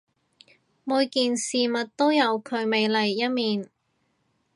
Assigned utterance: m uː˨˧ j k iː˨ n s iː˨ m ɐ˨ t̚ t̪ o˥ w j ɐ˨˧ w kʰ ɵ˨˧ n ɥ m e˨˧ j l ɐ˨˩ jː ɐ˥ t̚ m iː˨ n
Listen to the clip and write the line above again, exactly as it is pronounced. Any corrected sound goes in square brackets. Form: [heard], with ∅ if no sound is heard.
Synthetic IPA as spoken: m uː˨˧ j k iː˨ n s iː˨ m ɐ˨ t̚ t̪ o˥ w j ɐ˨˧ w kʰ ɵ˨˧ [∅] ɥ m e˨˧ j l ɐ˨˩ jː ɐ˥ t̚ m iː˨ n